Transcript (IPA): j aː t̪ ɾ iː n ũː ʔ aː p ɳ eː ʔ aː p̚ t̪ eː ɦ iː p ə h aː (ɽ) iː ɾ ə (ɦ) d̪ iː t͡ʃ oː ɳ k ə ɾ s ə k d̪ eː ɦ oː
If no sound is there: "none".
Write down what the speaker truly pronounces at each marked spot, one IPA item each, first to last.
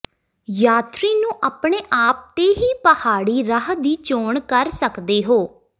ɽ, ɦ

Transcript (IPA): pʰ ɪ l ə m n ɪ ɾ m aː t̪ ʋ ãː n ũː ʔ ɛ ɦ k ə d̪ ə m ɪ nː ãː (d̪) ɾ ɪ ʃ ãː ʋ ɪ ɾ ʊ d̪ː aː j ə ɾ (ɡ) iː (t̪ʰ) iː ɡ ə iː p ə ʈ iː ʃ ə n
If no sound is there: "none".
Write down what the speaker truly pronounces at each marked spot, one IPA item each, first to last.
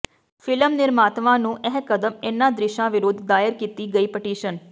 d̪, k, t̪

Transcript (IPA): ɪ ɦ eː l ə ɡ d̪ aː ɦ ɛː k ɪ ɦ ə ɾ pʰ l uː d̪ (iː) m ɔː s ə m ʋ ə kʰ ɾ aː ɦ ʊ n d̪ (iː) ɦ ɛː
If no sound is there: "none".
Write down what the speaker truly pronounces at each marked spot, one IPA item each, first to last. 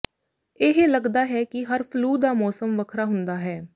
aː, aː

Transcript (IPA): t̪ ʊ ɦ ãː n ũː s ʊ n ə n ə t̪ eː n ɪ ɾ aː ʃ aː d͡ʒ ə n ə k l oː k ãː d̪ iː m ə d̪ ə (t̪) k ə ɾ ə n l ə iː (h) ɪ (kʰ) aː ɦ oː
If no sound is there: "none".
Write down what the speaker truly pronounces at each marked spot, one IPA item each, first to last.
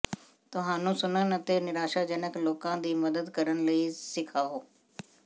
d̪, s, kʰ

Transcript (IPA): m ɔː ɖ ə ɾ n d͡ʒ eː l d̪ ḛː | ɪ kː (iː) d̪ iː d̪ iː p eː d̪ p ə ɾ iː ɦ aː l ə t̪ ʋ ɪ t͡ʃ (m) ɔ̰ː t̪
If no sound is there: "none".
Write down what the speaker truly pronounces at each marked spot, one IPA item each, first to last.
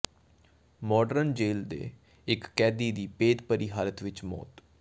ɛː, m

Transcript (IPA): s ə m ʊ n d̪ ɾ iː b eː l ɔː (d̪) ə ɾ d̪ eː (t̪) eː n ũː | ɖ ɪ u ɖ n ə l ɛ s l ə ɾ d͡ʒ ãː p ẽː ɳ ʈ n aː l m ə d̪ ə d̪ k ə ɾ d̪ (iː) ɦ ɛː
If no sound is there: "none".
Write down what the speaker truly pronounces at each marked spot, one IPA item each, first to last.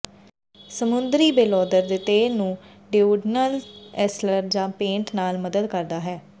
d̪, t̪, aː

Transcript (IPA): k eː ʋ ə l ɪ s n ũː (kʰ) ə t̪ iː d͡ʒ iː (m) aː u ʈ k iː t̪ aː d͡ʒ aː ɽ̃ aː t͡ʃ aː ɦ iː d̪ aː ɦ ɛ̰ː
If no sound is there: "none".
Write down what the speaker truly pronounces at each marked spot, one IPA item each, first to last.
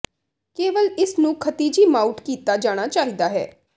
kʰ, m

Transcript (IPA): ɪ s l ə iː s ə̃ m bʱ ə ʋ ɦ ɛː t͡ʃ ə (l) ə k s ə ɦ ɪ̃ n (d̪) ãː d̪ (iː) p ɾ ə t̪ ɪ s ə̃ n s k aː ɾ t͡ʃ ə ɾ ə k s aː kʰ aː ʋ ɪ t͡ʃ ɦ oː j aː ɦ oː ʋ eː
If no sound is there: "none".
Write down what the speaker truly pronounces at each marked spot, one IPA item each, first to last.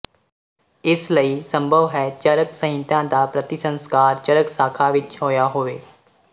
ɾ, t̪, aː

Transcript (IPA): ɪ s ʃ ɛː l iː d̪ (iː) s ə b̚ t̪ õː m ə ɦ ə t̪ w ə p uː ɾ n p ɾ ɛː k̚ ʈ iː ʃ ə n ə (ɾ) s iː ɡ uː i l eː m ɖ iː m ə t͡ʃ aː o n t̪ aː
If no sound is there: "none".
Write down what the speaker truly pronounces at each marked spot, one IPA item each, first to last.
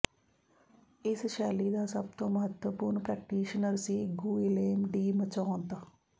aː, ɾ

